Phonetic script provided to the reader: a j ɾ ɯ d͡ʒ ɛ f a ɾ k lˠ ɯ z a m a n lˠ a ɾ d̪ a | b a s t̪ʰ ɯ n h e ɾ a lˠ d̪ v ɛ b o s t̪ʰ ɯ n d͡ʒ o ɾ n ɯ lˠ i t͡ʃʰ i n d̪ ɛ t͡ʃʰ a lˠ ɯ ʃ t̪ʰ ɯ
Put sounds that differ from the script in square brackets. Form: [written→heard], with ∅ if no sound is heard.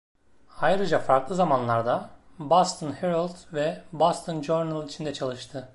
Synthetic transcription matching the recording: a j ɾ ɯ d͡ʒ [ɛ→a] f a ɾ k lˠ ɯ z a m a n lˠ a ɾ d̪ a | b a s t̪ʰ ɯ n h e ɾ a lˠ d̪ v ɛ b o s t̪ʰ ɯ n d͡ʒ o ɾ n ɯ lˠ i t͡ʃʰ i n d̪ ɛ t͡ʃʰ a lˠ ɯ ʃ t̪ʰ ɯ